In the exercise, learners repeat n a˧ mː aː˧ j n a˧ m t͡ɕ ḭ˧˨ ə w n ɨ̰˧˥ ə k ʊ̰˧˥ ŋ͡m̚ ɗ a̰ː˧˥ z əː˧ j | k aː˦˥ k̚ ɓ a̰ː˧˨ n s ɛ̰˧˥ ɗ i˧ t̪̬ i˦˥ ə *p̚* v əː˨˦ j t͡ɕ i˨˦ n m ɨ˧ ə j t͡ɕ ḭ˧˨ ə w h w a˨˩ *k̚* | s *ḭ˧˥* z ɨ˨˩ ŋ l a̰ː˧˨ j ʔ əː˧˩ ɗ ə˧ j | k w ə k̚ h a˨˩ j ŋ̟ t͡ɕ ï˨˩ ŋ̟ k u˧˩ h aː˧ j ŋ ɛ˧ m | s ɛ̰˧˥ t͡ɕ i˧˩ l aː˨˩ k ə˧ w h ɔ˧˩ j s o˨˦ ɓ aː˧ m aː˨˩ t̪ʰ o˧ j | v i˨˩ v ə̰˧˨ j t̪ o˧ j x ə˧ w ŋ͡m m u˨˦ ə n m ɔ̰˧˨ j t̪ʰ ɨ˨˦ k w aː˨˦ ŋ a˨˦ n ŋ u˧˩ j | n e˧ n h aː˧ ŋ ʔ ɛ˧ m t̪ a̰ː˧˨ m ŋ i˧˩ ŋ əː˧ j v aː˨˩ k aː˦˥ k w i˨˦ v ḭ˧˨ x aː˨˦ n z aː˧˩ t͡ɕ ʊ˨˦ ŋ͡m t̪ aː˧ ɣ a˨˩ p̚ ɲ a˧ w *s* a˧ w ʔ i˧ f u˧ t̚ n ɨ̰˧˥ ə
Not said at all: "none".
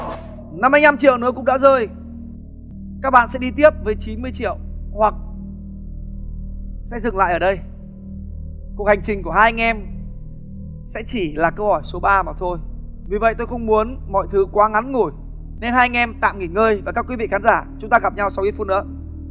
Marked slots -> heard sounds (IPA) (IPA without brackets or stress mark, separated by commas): p̚, k̚, ɛ̰˧˥, s